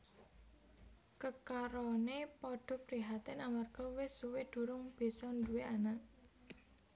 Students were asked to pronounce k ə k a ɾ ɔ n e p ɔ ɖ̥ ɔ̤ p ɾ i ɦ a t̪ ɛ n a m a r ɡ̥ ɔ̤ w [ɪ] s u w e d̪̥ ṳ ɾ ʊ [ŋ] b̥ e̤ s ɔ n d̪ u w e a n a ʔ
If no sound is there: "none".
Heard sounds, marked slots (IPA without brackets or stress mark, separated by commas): ɪ, ŋ